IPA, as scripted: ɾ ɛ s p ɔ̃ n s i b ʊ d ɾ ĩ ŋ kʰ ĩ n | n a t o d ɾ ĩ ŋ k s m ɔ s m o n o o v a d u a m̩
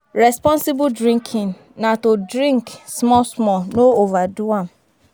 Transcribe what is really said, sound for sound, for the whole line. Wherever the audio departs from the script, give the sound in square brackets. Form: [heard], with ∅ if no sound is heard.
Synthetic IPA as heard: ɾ ɛ s p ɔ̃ n s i b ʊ d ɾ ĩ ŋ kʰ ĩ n | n a t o d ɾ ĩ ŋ k s m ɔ s m [ɔ] n o o v a d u a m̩

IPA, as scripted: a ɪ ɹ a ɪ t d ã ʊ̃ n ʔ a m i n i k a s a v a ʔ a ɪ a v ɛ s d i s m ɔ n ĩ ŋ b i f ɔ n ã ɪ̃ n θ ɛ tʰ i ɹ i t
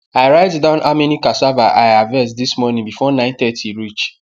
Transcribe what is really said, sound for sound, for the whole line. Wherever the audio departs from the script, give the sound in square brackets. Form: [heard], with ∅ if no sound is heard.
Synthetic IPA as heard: a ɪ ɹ a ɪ t d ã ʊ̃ n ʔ a m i n i k a s a v a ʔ a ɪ a v ɛ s d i s m ɔ n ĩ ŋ b i f ɔ n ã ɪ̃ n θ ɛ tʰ i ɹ i [t͡ʃ]

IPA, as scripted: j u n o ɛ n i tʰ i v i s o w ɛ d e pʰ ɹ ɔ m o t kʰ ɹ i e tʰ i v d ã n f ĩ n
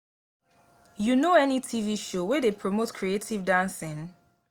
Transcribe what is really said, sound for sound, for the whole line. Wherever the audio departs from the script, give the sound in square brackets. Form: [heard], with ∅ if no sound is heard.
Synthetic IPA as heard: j u n o ɛ n i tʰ i v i [ʃ] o w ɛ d e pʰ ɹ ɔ m o t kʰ ɹ i e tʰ i v d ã n [s] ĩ n

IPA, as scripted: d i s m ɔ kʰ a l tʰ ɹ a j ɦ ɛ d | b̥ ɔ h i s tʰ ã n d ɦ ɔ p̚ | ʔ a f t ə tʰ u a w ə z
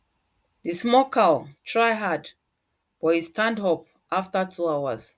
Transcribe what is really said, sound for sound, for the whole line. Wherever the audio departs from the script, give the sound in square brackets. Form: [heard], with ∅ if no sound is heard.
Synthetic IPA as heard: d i s m ɔ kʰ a l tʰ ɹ a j ɦ [a] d | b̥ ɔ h i s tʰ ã n d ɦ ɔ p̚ | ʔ a f t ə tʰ u a w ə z

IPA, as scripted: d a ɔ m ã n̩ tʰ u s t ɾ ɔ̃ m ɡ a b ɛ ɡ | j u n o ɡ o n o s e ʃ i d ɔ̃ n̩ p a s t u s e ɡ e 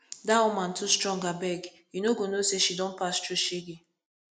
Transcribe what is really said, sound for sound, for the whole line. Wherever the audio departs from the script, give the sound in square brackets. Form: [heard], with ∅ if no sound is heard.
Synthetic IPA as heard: d a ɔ m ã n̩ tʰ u s t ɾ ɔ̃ [ŋ] ɡ a b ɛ ɡ | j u n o ɡ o n o s e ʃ i d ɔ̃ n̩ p a s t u [ʃ] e ɡ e

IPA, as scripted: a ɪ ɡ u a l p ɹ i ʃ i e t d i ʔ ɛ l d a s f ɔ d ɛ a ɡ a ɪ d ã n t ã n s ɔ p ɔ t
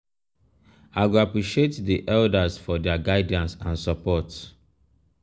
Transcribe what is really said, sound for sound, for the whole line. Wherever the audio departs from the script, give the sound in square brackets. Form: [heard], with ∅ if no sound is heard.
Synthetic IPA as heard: a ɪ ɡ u a [∅] p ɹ i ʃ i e t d i ʔ ɛ l d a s f ɔ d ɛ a ɡ a ɪ d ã n [s] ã n s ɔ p ɔ t

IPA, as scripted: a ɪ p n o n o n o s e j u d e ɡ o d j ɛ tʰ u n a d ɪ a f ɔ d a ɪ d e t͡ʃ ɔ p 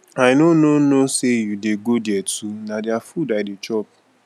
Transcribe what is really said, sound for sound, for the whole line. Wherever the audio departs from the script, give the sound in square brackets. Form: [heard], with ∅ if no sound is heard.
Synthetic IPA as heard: a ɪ [∅] n o n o n o s e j u d e ɡ o d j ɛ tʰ u n a d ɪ a f [u] d a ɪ d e t͡ʃ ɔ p

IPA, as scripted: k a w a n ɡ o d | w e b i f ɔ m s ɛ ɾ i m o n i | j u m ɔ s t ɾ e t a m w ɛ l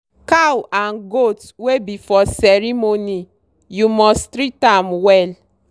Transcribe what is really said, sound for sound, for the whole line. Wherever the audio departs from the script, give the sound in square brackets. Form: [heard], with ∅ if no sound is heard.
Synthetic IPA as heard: k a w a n ɡ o [t] | w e b i f ɔ [∅] s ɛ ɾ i m o n i | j u m ɔ s t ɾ [i] t a m w ɛ l

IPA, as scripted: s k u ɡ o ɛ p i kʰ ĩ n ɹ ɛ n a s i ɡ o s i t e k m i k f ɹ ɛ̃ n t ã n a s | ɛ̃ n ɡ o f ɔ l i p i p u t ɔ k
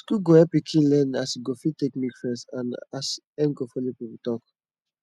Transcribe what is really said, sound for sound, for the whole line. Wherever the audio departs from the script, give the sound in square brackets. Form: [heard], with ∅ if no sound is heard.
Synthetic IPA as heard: s k u ɡ o ɛ p i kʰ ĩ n [l] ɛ n a s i ɡ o [f] i t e k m i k f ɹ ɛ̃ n [s] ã n a s | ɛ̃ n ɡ o f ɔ l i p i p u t ɔ k

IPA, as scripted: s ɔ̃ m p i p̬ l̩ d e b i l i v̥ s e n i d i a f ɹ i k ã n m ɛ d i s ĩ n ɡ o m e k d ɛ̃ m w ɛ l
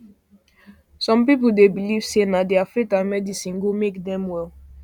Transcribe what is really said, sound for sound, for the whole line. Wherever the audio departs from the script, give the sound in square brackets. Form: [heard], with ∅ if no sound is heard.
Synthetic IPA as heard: s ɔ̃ m p i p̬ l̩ d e b i l i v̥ s e n [a] d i a f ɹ i k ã n m ɛ d i s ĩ n ɡ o m e k d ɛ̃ m w ɛ l

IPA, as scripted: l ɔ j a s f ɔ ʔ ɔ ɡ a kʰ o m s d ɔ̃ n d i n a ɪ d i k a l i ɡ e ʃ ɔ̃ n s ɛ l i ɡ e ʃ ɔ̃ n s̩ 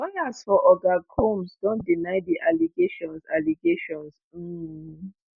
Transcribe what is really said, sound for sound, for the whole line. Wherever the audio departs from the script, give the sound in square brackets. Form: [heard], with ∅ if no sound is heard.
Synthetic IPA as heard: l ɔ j a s f ɔ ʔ ɔ ɡ a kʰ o m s d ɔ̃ n d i n a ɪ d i [ʔ] a l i ɡ e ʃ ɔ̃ n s [a] l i ɡ e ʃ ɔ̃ n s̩

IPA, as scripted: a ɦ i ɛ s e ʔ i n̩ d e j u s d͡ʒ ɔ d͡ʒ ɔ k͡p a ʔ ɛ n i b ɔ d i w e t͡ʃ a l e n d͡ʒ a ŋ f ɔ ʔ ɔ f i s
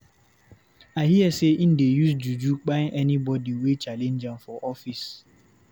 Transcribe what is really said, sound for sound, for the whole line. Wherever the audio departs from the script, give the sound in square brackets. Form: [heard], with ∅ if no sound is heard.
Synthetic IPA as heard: a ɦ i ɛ s e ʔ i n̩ d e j u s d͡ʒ [u] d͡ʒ [u] k͡p a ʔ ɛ n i b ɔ d i w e t͡ʃ a l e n d͡ʒ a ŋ f ɔ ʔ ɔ f i s

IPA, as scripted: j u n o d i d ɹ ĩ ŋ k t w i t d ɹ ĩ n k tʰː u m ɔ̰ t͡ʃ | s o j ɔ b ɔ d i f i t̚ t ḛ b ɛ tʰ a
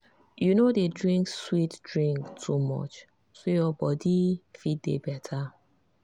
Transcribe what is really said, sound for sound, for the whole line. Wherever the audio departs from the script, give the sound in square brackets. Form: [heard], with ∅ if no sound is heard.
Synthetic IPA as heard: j u n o d [e] d ɹ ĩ ŋ k [s] w i t d ɹ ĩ [ŋ] k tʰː u m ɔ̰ t͡ʃ | s o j ɔ b ɔ d i f i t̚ [d] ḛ b ɛ tʰ a

